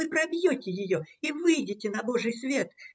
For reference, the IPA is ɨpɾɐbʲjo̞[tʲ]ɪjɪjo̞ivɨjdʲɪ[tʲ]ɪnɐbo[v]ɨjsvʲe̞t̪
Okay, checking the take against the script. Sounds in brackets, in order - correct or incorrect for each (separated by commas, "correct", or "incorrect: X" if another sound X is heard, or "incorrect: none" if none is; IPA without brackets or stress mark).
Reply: correct, correct, incorrect: ʐ